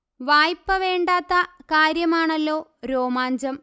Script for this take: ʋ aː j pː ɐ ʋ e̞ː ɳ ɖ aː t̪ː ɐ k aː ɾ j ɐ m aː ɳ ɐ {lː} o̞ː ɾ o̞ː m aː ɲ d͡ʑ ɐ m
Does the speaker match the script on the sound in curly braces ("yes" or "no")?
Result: yes